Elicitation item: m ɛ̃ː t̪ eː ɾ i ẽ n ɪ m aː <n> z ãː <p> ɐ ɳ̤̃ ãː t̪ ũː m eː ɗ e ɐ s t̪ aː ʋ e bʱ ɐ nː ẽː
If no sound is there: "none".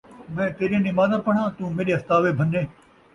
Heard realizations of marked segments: none, p

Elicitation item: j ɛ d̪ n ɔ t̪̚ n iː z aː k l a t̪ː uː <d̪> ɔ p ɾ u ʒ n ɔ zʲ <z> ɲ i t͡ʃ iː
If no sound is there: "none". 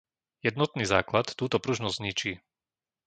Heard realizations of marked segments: t̪, z

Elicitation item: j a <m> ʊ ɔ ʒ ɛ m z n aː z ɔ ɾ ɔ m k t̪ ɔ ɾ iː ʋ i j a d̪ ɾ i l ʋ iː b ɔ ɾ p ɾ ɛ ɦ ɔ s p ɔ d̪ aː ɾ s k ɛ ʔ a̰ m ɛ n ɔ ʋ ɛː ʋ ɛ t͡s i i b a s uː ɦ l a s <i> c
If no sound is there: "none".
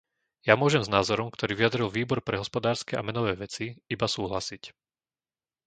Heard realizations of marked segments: m, i

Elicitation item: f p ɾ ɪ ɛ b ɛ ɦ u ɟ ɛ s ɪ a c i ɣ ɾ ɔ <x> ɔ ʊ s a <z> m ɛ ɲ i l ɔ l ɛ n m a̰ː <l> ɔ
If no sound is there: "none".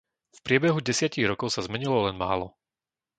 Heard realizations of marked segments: k, z, l

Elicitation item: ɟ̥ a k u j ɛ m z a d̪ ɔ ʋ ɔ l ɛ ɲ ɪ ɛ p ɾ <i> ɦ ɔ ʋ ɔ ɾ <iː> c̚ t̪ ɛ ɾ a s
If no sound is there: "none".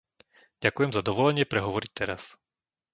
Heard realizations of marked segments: ɛ, i

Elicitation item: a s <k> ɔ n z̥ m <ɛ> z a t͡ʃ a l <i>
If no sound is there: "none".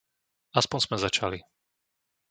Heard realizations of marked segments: p, ɛ, i

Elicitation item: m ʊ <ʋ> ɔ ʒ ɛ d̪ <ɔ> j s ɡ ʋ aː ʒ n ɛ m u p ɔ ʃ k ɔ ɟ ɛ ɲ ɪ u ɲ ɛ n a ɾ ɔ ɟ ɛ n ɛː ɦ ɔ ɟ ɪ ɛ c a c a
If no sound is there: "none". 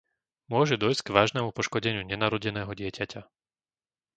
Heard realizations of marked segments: none, ɔ

